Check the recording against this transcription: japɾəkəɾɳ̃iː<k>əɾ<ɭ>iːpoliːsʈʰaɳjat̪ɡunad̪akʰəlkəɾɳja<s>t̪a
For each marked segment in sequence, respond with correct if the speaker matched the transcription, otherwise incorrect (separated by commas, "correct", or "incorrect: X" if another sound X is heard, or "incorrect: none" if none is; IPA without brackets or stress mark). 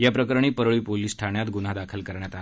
incorrect: p, correct, incorrect: none